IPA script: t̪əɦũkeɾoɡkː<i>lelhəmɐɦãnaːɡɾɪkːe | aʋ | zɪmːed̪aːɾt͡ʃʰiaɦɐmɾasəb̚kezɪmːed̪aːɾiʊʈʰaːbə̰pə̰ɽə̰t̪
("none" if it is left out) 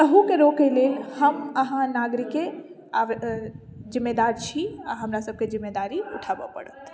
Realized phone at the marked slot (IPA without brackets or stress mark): e